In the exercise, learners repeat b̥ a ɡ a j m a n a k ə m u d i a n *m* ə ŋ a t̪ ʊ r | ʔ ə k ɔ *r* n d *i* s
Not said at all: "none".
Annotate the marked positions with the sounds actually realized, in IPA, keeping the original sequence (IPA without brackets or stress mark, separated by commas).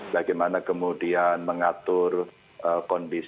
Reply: m, none, i